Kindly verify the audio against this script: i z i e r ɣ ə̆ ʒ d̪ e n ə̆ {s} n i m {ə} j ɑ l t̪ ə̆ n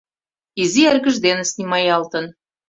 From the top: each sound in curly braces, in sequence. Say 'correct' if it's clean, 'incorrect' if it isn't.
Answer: correct, incorrect

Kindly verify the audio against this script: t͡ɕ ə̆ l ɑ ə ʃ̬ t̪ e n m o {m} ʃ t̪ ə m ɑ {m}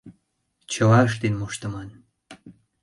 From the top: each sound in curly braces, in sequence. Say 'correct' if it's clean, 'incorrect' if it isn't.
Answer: incorrect, incorrect

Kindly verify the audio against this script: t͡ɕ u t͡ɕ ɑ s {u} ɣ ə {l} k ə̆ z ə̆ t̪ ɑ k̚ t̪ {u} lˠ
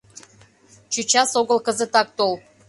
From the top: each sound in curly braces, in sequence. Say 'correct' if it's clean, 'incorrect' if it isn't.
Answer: incorrect, correct, incorrect

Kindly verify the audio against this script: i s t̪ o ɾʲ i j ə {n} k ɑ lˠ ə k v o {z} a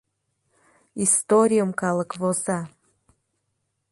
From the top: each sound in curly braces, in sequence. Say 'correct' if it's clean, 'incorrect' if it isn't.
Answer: incorrect, correct

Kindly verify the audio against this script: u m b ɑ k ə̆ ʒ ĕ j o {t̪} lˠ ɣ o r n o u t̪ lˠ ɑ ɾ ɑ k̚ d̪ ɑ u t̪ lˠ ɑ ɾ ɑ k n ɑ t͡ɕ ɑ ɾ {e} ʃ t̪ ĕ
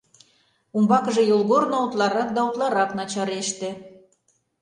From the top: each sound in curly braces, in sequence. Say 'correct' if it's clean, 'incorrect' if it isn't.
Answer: incorrect, correct

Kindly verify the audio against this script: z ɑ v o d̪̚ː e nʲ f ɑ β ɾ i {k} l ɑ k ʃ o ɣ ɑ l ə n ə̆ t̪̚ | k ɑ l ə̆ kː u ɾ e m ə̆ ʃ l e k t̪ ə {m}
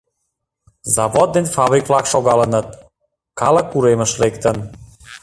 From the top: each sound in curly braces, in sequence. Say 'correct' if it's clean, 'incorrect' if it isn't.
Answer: correct, incorrect

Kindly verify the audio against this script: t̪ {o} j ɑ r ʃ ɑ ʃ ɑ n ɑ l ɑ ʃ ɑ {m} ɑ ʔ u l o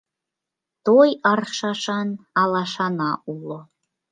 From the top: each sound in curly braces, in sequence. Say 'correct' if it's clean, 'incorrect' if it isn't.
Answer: correct, incorrect

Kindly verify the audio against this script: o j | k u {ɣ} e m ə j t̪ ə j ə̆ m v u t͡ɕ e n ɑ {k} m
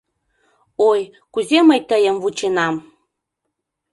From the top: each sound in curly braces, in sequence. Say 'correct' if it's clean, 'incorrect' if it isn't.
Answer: incorrect, incorrect

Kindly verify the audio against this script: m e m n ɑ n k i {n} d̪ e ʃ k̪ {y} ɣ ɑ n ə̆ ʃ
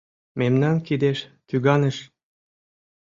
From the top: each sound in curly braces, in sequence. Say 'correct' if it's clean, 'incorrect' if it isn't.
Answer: incorrect, correct

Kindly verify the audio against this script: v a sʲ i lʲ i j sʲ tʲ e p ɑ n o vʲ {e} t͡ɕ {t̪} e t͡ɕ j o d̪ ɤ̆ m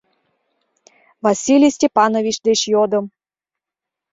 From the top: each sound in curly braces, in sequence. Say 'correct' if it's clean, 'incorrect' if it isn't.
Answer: incorrect, incorrect

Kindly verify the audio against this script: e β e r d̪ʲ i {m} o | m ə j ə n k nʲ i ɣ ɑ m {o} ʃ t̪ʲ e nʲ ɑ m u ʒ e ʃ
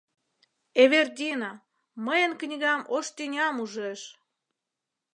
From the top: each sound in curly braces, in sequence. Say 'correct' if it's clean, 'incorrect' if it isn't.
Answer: incorrect, correct

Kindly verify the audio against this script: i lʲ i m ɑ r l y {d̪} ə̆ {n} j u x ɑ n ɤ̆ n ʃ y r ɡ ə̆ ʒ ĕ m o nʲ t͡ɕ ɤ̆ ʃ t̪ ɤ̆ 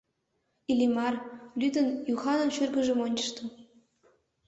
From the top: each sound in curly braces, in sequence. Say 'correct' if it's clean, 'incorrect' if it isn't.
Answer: correct, correct

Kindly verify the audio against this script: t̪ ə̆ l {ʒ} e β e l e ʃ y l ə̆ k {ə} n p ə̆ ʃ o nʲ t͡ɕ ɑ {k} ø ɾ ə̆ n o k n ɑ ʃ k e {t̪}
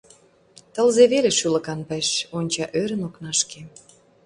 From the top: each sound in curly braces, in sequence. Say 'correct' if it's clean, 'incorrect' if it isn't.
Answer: incorrect, incorrect, incorrect, incorrect

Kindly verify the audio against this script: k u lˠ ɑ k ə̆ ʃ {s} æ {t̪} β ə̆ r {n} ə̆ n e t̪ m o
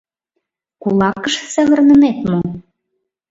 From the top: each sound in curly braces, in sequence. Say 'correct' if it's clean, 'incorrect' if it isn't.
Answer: correct, incorrect, correct

